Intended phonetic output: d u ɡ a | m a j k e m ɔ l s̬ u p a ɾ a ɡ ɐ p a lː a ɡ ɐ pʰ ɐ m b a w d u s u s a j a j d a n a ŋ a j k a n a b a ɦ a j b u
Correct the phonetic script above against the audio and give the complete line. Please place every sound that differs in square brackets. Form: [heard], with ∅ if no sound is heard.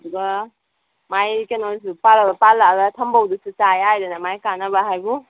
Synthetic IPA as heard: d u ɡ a | m a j k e [n] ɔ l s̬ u p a [l] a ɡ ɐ p a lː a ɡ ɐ [tʰ] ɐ m b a w d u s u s a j a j d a n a [m] a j k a n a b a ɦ a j b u